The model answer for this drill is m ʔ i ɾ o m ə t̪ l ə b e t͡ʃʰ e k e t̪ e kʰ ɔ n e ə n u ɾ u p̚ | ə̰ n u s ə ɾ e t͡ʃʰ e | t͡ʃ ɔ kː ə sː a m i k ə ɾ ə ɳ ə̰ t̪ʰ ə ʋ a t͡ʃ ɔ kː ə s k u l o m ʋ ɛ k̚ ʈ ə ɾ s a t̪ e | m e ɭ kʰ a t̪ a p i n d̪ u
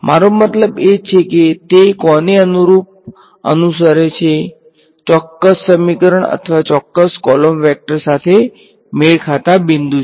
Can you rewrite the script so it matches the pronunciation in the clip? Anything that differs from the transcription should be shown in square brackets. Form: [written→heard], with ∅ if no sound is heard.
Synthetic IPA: m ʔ [i→a] ɾ o m ə t̪ l ə b e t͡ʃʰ e k e t̪ e [kʰ→k] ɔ n e ə n u ɾ u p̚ | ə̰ n u s ə ɾ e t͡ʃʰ e | t͡ʃ ɔ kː ə sː [a→ə] m i k ə ɾ ə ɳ ə̰ t̪ʰ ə ʋ a t͡ʃ ɔ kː ə s k [u→ɔ] l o m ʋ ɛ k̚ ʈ ə ɾ s a [t̪→t̪ʰ] e | m e ɭ kʰ a t̪ a [p→b] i n d̪ u

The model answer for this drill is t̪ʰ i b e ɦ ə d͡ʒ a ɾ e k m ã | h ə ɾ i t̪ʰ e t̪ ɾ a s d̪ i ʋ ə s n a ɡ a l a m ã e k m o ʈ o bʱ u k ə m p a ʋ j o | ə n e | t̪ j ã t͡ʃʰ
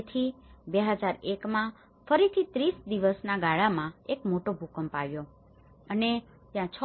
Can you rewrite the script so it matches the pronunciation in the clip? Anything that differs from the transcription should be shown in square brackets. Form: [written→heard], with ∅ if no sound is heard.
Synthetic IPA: t̪ʰ i b e ɦ ə d͡ʒ a ɾ e k m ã | [h→f] ə ɾ i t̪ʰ [e→i] t̪ ɾ [a→i] s d̪ i ʋ ə s n a ɡ a [l→ɭ] a m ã e k m o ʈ o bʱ u k ə m p a ʋ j o | ə n e | t̪ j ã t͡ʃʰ

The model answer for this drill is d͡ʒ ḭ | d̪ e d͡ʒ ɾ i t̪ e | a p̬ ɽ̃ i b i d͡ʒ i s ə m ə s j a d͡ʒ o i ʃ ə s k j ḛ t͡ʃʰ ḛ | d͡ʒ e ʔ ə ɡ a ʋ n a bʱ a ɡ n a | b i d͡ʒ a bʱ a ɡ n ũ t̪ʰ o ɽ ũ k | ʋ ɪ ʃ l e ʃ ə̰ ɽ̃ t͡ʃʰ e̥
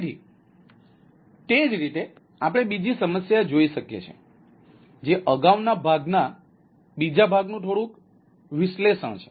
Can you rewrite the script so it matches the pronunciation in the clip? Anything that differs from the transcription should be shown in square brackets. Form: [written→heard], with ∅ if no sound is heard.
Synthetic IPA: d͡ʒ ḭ | [d̪→t̪] e d͡ʒ ɾ i t̪ e | a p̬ ɽ̃ [i→e] b i d͡ʒ i s ə m ə s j a d͡ʒ o i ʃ ə [s→∅] k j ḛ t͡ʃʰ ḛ | d͡ʒ e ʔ ə ɡ a ʋ n a bʱ a ɡ n a | b i d͡ʒ a bʱ a ɡ n ũ t̪ʰ o ɽ ũ k | ʋ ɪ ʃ l e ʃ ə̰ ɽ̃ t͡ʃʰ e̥

